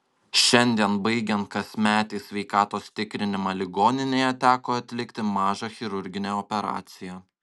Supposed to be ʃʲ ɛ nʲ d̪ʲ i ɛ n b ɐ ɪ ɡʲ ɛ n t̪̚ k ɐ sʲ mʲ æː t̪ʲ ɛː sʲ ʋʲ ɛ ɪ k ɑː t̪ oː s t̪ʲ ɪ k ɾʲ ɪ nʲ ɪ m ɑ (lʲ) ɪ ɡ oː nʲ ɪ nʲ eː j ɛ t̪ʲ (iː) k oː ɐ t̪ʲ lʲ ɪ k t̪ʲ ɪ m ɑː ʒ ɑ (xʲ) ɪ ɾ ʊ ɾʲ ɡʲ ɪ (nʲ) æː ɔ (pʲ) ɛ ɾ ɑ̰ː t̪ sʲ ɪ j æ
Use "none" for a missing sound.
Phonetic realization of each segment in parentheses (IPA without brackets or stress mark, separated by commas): lʲ, æː, xʲ, nʲ, pʲ